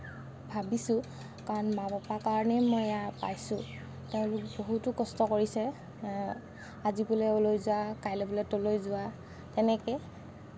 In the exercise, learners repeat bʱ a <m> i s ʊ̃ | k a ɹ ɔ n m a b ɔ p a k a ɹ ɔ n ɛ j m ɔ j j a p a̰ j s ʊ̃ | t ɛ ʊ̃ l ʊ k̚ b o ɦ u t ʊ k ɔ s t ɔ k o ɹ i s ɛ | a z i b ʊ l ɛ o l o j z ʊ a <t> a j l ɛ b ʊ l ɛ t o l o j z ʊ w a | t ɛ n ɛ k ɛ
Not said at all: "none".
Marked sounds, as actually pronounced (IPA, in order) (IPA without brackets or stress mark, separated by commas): b, k